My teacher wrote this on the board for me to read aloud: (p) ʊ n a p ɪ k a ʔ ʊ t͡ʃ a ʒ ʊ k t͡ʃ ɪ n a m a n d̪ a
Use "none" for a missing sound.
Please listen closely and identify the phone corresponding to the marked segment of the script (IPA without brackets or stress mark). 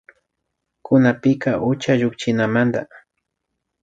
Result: k